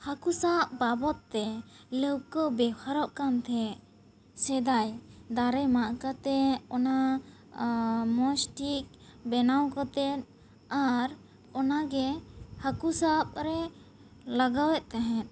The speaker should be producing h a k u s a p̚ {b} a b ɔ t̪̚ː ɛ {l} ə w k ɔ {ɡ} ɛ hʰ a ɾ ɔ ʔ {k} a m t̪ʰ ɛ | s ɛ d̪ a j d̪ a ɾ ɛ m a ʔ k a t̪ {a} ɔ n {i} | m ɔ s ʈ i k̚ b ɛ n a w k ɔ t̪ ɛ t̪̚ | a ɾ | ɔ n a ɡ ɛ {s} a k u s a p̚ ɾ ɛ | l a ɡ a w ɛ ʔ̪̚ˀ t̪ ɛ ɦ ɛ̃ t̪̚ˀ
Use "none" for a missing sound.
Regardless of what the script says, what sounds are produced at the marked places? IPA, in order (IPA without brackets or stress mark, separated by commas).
b, l, b, k, ɛ, a, h